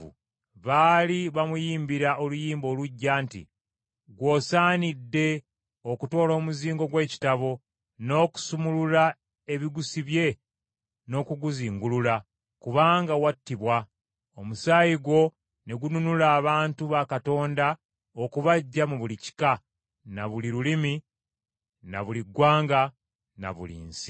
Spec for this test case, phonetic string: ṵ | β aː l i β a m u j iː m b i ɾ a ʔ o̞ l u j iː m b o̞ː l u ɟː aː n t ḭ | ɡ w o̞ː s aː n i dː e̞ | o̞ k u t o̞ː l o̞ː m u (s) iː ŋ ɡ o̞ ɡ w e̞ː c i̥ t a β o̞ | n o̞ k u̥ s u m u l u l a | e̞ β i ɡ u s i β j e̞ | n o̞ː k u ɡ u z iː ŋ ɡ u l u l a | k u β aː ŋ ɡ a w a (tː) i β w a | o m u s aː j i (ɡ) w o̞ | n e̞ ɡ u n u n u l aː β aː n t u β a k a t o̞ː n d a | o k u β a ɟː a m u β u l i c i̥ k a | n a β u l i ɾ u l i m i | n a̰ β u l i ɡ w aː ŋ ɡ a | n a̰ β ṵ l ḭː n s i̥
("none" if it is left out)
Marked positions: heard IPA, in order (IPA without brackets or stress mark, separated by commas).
z, tː, ɡ